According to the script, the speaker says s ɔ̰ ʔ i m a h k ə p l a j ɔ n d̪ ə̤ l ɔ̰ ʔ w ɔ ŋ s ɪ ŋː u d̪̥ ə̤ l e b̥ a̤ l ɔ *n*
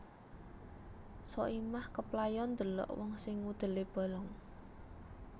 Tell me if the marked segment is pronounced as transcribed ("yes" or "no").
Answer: no